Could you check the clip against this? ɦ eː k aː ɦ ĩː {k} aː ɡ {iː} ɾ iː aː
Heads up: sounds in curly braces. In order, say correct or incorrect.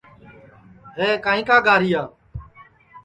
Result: correct, incorrect

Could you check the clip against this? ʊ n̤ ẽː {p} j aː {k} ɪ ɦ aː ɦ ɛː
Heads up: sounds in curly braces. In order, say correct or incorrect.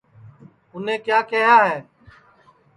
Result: incorrect, correct

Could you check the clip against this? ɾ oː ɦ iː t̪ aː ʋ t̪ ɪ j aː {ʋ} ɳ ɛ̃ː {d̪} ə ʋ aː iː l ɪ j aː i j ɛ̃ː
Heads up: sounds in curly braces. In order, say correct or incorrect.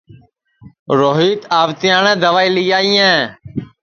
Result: incorrect, correct

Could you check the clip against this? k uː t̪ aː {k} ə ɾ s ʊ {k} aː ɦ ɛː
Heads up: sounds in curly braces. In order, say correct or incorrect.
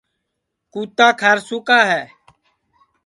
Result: incorrect, correct

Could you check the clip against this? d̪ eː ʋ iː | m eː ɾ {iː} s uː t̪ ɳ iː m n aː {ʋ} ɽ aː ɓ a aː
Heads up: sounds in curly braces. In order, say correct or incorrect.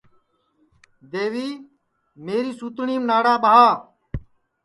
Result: correct, incorrect

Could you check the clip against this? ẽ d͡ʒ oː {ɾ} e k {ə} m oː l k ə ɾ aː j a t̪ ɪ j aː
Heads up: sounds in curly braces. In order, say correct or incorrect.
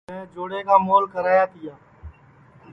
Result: incorrect, incorrect

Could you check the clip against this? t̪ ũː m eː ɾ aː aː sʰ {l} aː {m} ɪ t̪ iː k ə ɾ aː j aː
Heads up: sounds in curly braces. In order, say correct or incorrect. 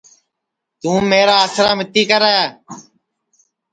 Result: incorrect, correct

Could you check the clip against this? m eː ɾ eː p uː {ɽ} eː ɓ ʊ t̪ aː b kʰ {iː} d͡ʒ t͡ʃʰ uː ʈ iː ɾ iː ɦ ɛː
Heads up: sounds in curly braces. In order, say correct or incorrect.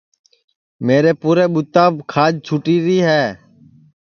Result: incorrect, incorrect

